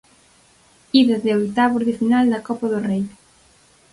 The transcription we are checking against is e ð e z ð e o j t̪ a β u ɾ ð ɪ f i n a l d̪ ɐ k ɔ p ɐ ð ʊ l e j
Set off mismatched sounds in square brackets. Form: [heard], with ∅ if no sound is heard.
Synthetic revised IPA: [i] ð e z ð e o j t̪ a β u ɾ ð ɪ f i n a l d̪ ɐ k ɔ p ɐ ð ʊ [r] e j